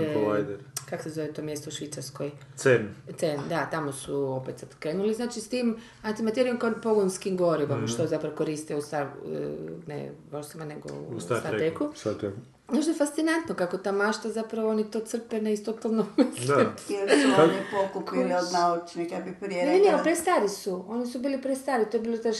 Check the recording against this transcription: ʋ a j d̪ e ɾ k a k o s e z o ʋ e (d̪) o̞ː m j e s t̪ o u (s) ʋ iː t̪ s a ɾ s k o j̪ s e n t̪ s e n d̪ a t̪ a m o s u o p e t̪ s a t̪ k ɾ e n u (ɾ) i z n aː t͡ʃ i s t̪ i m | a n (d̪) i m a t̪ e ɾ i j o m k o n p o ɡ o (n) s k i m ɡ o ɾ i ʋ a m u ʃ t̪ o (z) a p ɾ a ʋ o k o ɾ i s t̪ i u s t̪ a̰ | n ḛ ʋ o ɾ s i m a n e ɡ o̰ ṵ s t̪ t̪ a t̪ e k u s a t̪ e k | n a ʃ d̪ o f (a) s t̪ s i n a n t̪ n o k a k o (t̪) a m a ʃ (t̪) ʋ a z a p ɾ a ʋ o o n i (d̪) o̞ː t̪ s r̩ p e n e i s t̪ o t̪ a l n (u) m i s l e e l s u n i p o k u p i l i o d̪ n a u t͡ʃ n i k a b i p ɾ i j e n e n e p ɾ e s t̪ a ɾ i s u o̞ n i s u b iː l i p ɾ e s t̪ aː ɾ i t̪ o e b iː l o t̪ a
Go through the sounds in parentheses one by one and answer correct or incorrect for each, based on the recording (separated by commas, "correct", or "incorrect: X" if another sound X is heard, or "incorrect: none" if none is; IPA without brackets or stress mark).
incorrect: t̪, incorrect: ʃ, incorrect: l, incorrect: t̪, correct, correct, correct, correct, correct, incorrect: t̪, incorrect: o